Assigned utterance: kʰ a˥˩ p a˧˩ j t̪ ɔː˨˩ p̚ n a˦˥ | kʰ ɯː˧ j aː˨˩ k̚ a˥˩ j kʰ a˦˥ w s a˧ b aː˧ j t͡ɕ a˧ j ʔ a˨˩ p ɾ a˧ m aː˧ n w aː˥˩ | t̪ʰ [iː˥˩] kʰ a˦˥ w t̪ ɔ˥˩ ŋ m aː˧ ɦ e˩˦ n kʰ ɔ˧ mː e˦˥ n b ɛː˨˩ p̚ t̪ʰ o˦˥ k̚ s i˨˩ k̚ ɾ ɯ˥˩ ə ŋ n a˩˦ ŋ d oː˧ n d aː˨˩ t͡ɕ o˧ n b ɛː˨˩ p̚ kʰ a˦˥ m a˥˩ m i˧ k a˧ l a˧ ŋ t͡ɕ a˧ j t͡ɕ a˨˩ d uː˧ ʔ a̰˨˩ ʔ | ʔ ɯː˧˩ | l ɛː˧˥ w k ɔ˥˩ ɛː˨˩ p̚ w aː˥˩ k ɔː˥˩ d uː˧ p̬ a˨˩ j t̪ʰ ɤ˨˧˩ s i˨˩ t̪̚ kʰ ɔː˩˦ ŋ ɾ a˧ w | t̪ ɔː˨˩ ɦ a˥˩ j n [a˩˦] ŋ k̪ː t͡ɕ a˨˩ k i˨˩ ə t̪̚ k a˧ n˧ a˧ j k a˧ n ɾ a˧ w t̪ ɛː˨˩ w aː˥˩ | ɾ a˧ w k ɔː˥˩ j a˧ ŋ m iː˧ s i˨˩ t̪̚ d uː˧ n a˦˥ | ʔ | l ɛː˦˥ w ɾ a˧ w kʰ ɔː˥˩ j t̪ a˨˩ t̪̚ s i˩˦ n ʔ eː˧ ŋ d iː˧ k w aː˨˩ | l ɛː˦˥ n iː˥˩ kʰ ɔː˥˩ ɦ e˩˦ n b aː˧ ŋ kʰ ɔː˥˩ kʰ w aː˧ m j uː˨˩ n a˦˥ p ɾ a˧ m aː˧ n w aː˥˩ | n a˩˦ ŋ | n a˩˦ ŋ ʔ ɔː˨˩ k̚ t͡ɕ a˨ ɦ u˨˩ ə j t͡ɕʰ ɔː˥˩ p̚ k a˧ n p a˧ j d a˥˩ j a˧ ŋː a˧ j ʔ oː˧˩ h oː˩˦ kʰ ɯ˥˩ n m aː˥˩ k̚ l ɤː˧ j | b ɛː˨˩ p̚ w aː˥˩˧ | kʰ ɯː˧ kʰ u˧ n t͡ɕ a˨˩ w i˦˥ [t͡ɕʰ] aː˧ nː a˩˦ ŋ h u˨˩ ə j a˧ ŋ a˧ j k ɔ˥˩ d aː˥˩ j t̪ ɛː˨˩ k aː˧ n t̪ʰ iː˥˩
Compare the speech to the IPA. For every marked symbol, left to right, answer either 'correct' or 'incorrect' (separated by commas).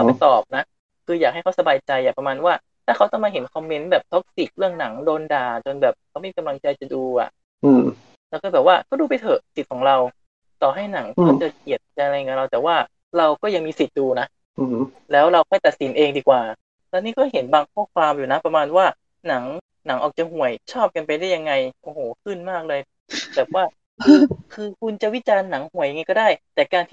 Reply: incorrect, correct, incorrect